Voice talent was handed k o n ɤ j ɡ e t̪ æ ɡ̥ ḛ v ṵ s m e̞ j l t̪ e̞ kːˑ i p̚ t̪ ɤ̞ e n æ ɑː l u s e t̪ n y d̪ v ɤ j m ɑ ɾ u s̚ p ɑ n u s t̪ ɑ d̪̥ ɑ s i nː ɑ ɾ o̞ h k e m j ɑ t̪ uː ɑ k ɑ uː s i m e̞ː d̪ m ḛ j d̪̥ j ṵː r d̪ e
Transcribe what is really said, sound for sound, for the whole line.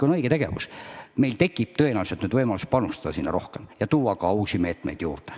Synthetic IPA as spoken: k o n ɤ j ɡ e t̪ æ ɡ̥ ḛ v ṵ s m e̞ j l t̪ e̞ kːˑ i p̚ t̪ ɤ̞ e n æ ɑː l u s e t̪ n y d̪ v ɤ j m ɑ l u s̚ p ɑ n u s t̪ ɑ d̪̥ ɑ s i nː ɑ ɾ o̞ h k e m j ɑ t̪ uː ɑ k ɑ uː s i m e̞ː t̪ m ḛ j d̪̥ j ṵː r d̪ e